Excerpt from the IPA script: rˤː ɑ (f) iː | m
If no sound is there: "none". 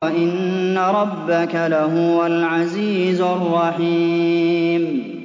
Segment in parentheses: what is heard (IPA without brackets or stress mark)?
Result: ħ